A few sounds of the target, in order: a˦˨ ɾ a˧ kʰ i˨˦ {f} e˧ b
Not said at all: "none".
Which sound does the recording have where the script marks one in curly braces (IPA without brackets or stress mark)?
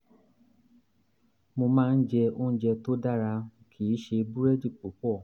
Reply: ʃ